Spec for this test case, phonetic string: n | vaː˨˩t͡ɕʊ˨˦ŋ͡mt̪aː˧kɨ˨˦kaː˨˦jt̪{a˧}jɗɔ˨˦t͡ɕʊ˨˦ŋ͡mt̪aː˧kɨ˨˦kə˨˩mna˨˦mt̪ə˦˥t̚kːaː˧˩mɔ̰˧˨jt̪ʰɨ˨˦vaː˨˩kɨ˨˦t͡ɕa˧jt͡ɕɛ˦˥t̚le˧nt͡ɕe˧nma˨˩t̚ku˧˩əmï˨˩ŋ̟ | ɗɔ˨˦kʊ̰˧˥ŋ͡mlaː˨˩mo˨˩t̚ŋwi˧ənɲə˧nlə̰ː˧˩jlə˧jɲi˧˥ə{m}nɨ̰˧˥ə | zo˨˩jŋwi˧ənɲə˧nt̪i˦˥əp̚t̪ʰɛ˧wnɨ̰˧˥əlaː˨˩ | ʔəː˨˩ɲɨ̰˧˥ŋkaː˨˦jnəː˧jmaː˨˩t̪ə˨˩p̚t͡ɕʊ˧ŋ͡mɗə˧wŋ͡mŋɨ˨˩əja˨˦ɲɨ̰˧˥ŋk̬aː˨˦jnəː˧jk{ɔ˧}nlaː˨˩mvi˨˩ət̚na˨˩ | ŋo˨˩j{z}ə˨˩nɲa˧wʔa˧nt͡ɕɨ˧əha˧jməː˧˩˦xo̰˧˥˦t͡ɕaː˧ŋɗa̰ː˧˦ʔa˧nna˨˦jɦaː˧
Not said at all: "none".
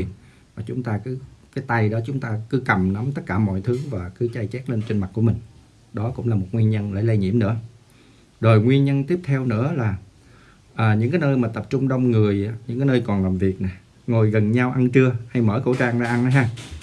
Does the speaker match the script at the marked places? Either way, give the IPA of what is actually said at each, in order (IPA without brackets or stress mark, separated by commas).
a˧, m, ɔ˨˩, ɣ